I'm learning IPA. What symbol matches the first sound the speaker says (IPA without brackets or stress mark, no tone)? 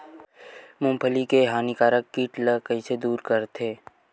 m